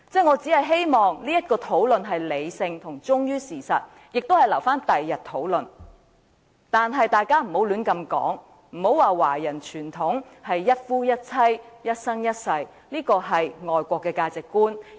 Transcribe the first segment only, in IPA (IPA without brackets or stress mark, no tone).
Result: t͡s